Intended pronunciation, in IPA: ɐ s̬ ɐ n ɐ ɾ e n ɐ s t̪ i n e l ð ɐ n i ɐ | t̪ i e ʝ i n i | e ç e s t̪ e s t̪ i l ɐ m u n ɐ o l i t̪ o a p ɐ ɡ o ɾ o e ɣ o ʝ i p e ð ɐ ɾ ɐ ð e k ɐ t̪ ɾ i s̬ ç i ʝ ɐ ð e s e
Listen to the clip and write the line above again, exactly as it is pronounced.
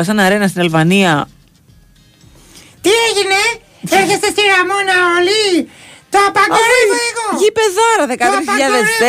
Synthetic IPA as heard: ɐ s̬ ɐ n ɐ ɾ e n ɐ s t̪ i n e l v ɐ n i ɐ | t̪ i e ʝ i n e | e ç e s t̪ e s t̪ i ɾ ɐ m o n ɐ o l i t̪ o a p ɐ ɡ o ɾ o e ɣ o ʝ i p e ð ɐ ɾ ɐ ð e k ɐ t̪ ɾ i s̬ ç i ʎ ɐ ð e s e